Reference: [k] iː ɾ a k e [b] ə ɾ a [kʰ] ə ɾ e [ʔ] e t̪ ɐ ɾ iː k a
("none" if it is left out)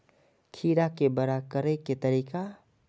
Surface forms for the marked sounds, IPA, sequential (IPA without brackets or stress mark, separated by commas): kʰ, b, k, k